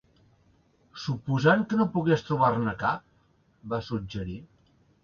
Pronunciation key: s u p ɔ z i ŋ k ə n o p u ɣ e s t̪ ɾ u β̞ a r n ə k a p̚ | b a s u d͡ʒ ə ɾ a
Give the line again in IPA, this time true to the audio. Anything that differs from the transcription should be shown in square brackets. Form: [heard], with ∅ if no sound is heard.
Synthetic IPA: s u p [u] z [a] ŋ k ə n o p u ɣ e s t̪ ɾ u β̞ a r n ə k a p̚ | b a s u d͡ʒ ə ɾ [i]